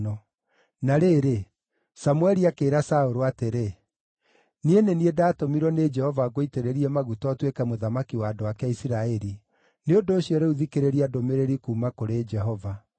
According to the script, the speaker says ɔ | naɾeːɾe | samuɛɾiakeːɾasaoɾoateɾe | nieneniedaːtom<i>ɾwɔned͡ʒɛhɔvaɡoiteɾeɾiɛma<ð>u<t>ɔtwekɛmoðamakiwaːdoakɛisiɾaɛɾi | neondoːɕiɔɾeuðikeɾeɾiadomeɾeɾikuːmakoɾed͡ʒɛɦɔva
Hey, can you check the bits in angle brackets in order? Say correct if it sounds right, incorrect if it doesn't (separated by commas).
correct, incorrect, correct